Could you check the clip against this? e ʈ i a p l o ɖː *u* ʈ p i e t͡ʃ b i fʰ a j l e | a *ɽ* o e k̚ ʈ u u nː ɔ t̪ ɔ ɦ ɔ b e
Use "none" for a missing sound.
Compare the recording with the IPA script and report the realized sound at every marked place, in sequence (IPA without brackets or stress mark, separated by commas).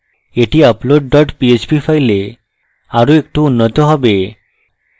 ɔ, ɾ